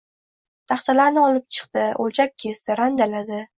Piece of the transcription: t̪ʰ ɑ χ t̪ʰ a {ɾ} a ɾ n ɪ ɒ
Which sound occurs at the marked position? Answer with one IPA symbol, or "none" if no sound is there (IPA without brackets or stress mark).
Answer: l